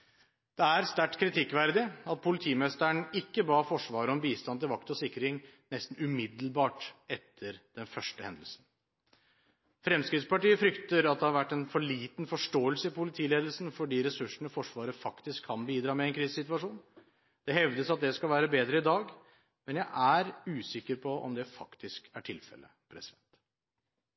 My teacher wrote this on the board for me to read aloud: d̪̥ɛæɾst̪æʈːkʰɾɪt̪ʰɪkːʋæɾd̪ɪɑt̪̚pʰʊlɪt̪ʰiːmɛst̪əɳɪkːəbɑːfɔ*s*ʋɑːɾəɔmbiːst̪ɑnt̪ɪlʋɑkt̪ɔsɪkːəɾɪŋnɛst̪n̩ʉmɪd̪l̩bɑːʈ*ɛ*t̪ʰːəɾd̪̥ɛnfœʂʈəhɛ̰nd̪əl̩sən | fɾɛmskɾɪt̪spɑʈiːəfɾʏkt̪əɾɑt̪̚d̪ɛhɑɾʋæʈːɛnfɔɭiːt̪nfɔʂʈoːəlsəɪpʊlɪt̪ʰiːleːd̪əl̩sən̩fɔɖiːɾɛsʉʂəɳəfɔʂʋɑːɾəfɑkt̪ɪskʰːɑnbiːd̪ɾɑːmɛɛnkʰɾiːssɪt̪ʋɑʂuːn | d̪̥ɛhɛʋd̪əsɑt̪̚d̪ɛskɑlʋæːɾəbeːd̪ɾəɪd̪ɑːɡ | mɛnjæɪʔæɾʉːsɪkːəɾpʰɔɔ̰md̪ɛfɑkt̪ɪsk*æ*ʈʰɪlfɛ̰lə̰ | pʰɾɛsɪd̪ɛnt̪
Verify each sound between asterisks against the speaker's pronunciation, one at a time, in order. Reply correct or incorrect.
incorrect: ʂ, correct, correct

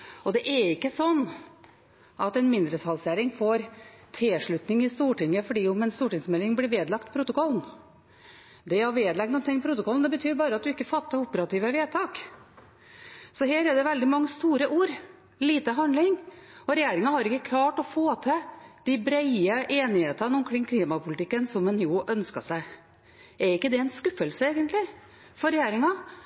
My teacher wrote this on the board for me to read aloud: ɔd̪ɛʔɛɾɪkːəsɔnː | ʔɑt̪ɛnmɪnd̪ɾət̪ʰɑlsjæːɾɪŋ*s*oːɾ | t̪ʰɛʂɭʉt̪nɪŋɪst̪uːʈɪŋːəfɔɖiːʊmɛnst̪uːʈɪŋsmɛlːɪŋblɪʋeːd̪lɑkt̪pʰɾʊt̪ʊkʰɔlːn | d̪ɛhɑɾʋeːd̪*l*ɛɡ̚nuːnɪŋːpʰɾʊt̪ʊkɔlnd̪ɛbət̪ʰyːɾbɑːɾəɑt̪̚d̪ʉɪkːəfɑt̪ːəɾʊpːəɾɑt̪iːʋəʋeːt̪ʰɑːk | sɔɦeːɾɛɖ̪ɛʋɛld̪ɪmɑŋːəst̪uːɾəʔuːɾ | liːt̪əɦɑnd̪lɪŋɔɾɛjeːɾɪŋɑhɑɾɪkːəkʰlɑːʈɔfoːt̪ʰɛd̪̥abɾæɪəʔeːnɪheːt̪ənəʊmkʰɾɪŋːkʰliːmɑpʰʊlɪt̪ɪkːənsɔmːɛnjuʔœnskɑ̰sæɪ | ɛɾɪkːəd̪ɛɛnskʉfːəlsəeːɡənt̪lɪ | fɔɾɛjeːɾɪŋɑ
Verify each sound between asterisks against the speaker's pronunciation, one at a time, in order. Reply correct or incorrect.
incorrect: f, correct

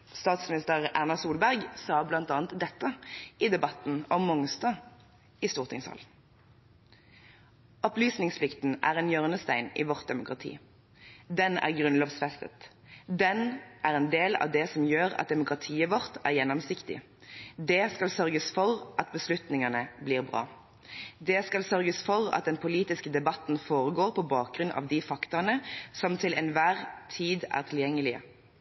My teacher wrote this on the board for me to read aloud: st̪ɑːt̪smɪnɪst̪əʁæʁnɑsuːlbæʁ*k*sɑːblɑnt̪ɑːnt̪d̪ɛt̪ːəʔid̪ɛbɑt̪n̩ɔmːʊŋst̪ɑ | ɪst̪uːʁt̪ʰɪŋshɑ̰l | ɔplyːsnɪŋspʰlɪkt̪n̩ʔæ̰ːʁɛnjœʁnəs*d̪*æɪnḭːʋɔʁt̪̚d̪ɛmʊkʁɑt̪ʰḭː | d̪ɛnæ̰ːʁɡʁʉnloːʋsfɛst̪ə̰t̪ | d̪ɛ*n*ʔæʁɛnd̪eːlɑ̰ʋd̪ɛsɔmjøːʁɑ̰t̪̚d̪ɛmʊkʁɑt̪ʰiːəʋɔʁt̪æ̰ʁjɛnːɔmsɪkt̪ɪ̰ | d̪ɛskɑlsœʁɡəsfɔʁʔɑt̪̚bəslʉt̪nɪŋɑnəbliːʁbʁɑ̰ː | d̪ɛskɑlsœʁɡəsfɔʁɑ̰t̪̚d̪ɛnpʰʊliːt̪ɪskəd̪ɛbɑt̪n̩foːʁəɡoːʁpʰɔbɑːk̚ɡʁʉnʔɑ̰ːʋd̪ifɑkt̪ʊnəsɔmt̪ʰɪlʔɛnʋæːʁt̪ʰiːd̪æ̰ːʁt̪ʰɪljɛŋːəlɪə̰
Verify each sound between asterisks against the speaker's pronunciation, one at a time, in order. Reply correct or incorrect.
incorrect: ɡ, incorrect: t̪, correct

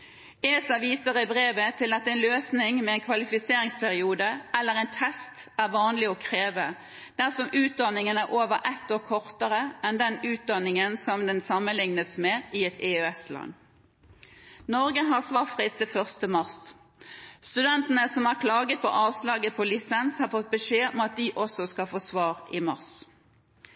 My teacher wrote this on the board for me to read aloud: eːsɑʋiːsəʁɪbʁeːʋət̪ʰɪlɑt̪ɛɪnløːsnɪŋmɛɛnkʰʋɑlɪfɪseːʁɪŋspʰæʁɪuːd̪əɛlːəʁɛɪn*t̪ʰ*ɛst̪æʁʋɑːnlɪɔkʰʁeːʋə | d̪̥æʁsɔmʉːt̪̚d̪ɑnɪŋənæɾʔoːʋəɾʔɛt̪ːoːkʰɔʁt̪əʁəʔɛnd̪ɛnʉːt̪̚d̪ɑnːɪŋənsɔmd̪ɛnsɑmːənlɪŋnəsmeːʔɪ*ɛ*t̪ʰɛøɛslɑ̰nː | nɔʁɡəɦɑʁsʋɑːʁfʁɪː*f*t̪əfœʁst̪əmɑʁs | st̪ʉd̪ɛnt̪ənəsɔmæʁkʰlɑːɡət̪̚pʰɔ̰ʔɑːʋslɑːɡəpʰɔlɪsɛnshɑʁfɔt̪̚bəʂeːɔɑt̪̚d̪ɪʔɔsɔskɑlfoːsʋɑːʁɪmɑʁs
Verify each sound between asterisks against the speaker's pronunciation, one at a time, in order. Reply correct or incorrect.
correct, correct, incorrect: s

